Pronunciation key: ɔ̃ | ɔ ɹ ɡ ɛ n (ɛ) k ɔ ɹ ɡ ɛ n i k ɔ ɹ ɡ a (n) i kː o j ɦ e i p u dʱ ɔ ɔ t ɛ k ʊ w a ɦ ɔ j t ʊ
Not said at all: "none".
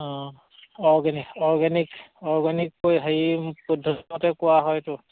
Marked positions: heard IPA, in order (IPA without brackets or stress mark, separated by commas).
i, n